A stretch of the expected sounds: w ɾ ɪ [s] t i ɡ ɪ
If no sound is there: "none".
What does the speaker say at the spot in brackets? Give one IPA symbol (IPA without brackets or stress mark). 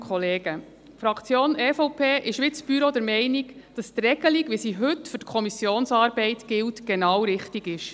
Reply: χ